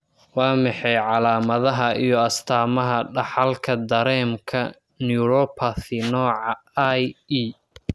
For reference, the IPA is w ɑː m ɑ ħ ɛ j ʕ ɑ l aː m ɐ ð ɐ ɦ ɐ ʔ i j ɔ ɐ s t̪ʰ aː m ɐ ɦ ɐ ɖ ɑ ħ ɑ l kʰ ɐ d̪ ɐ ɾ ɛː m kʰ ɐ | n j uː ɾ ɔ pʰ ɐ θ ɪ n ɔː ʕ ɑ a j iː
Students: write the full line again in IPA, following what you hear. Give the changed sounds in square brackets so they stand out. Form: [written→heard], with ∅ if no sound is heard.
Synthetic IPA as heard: w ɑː m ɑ ħ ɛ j ʕ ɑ l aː m ɐ ð ɐ ɦ ɐ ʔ i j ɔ ɐ s t̪ʰ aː m ɐ ɦ ɐ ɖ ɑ ħ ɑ l kʰ ɐ d̪ ɐ ɾ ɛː m kʰ ɐ | n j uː ɾ ɔ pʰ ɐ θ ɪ n ɔː ʕ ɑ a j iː